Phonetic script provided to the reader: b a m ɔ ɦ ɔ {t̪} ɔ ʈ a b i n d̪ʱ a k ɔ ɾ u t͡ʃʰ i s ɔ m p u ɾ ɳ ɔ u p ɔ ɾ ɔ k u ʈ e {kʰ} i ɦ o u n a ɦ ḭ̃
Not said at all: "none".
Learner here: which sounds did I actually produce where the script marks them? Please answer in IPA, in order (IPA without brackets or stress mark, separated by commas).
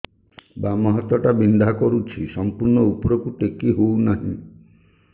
t̪, k